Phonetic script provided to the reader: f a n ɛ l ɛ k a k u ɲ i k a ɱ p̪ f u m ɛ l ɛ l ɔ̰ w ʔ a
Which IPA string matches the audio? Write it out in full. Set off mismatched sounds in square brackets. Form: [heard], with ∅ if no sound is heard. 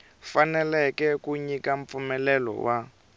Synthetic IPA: f a n ɛ l ɛ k [ɛ] k u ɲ i k a ɱ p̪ f u m ɛ l ɛ l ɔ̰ w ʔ a